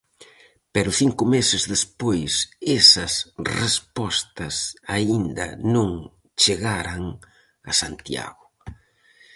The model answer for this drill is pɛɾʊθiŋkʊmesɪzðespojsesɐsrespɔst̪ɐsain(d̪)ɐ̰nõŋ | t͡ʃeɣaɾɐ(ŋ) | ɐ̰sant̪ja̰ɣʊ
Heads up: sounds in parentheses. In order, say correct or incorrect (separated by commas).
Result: correct, correct